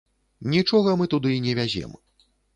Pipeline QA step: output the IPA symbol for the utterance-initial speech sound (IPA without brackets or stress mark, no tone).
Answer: nʲ